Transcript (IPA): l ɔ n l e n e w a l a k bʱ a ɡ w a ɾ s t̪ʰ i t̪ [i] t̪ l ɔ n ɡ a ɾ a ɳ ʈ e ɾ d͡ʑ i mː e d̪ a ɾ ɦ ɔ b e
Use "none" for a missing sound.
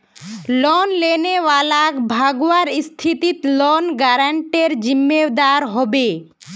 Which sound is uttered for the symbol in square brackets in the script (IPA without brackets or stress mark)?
i